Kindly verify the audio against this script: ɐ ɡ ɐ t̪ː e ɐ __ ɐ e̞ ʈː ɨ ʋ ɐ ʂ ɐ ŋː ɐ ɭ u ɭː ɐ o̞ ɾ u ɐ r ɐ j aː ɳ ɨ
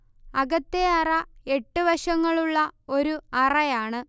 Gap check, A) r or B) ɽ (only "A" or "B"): A